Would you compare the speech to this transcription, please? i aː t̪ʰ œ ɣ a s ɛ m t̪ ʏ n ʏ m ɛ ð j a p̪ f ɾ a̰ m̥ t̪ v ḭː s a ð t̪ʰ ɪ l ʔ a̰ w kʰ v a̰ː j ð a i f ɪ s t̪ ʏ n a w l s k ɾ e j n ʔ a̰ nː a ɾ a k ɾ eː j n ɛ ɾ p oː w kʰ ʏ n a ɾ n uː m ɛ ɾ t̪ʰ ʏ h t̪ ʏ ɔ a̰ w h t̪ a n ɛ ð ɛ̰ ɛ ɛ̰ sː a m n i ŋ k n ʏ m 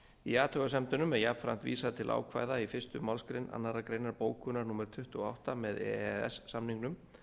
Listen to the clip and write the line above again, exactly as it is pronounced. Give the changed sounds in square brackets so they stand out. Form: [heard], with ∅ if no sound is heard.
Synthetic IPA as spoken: i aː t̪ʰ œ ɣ a s ɛ m t̪ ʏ n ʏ m ɛ ð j a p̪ f ɾ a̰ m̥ t̪ v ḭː s a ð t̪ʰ ɪ l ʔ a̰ w kʰ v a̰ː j ð a i f ɪ s t̪ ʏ [m] a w l s k ɾ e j n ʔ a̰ nː a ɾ a k ɾ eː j n [a] ɾ p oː w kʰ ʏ n a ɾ n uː m ɛ ɾ t̪ʰ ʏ h t̪ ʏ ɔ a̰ w h t̪ a [m] ɛ ð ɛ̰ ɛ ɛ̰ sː a m n i ŋ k n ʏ m